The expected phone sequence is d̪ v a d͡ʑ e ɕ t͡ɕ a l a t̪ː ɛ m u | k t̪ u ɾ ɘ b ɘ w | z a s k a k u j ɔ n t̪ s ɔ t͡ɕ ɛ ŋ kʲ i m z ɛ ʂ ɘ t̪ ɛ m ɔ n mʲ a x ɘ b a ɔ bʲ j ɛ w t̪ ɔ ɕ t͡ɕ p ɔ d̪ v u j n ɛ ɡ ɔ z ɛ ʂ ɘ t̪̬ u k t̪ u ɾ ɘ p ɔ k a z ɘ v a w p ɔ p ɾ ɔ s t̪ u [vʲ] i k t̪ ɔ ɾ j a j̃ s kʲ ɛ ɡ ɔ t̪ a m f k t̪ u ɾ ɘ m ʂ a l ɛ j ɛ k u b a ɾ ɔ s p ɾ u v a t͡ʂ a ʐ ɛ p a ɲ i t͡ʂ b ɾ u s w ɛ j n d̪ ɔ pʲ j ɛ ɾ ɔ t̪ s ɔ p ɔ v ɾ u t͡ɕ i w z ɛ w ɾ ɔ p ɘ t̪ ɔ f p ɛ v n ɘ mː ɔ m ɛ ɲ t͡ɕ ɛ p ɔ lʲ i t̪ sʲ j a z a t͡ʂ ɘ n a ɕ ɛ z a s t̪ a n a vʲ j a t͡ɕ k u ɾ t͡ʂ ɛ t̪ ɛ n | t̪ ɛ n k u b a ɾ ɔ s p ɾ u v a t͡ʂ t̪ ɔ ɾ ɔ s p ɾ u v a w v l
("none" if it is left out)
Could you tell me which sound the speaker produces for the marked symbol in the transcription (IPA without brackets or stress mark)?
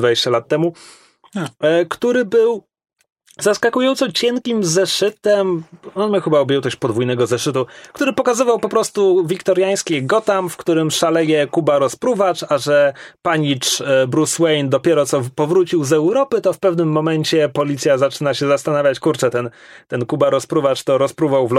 vʲ